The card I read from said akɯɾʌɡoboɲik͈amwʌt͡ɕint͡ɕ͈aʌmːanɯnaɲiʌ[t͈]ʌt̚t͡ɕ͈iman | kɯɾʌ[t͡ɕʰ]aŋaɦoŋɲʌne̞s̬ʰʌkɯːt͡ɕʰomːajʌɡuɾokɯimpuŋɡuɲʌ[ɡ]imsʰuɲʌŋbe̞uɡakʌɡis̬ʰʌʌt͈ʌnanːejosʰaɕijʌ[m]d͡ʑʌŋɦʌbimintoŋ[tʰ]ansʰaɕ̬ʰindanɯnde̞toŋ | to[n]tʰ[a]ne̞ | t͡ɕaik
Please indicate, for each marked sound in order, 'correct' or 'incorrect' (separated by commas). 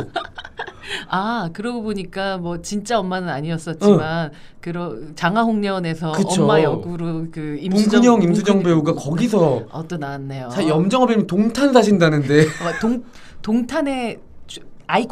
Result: incorrect, incorrect, incorrect, correct, correct, incorrect, correct